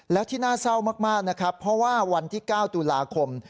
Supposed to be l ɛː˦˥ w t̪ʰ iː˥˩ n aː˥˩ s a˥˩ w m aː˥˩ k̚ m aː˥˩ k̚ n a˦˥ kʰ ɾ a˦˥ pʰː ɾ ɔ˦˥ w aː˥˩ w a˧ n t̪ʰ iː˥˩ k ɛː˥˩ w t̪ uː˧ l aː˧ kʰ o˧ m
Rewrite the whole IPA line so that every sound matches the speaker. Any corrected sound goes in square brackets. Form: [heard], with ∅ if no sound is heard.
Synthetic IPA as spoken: l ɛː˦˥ w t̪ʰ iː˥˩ n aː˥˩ s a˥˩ w m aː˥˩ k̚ m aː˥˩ k̚ n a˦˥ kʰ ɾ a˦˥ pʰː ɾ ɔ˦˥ w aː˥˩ w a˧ n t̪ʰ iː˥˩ k [aː˥˩] w t̪ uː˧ l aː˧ kʰ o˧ m

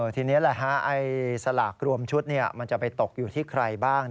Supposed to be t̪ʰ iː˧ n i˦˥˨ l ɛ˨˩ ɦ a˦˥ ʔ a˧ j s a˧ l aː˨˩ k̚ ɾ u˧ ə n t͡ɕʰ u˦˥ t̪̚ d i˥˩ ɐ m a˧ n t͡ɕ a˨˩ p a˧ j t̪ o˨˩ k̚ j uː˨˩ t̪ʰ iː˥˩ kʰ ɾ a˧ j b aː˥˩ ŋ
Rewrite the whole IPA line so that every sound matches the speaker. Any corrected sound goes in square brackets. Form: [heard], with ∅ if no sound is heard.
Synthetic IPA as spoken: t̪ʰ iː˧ n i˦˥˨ l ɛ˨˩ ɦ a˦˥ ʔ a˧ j s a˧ l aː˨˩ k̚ ɾ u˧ ə [m] t͡ɕʰ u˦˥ t̪̚ [n] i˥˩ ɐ m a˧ n t͡ɕ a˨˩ p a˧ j t̪ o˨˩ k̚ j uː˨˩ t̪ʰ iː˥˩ kʰ ɾ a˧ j b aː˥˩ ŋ

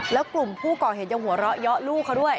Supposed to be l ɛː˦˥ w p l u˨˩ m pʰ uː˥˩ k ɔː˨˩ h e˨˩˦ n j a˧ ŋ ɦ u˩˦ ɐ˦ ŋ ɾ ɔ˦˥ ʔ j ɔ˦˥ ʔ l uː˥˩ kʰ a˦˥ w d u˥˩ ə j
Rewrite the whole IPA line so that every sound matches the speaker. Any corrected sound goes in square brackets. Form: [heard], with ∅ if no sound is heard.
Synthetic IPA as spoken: l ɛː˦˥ w [k] l u˨˩ m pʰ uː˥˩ k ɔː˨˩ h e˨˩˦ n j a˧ ŋ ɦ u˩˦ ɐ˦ [∅] ɾ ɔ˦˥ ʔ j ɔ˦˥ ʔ l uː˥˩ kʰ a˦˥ w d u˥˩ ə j

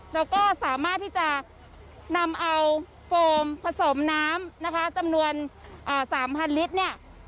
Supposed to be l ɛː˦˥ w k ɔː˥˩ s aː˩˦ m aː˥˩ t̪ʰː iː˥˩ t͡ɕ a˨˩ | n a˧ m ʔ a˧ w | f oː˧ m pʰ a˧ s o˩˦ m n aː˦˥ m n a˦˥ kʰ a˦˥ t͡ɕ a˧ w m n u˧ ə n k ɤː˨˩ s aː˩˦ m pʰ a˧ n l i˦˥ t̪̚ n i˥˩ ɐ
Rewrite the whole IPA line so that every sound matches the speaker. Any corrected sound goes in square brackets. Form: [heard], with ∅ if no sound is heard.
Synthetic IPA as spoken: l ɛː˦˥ w k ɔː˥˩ s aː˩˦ m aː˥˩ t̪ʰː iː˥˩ t͡ɕ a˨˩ | n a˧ m ʔ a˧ w | f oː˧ m pʰ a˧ s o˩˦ m n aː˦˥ m n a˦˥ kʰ a˦˥ t͡ɕ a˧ [∅] m n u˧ ə n [ʔ] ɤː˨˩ s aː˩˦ m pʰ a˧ n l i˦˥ t̪̚ n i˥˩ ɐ

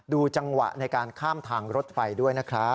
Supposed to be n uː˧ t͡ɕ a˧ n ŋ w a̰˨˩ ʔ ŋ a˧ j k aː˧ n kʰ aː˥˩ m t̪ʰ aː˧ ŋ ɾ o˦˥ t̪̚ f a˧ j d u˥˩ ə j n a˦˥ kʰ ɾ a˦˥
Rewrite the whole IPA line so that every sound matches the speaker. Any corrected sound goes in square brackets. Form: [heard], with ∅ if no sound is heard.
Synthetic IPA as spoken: [d] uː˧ t͡ɕ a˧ [∅] ŋ w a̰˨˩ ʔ [n] a˧ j k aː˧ n kʰ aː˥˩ m t̪ʰ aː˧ ŋ ɾ o˦˥ t̪̚ f a˧ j d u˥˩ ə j n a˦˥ kʰ ɾ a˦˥

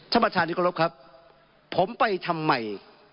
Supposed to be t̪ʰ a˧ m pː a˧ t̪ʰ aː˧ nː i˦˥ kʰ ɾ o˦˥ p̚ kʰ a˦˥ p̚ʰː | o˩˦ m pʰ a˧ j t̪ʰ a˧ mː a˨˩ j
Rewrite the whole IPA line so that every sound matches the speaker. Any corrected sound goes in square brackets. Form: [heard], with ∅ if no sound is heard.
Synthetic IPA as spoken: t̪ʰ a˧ m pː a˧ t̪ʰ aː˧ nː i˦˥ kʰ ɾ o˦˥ p̚ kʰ a˦˥ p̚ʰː | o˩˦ m [p] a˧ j t̪ʰ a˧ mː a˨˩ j

